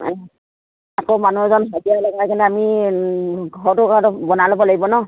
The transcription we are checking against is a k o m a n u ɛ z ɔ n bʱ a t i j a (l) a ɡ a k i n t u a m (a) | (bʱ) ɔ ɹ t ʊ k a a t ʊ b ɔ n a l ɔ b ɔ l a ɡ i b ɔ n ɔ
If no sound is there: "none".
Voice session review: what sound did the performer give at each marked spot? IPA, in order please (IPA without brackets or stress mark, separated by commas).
l, i, ɡʱ